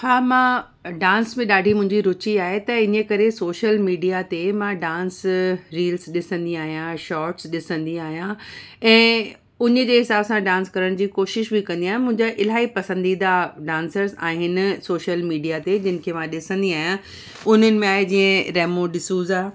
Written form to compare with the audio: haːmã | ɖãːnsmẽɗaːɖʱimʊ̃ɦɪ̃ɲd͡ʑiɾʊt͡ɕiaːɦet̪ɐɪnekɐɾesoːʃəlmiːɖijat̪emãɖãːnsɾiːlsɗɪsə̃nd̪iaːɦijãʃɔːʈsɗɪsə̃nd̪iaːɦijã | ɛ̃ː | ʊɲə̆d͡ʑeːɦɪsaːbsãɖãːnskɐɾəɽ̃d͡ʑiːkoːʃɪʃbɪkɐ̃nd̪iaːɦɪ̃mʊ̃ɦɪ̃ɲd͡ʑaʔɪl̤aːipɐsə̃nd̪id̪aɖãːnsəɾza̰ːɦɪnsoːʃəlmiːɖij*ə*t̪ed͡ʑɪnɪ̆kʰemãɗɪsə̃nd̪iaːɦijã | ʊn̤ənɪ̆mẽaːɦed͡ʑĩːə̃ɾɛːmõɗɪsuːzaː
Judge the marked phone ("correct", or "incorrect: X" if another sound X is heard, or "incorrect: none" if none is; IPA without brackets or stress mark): incorrect: a